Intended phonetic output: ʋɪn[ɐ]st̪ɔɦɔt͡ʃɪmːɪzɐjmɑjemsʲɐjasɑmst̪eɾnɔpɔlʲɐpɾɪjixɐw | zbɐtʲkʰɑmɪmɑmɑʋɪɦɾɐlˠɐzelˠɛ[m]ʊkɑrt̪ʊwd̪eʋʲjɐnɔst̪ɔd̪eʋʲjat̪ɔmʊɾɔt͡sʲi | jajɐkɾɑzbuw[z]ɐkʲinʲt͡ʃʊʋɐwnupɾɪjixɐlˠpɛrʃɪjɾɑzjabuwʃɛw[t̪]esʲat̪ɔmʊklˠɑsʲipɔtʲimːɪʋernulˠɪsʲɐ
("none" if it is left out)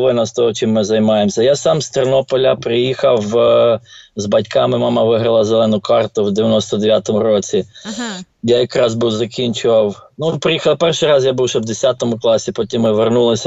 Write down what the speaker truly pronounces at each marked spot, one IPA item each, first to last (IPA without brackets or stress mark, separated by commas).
ɐ, n, z, d̪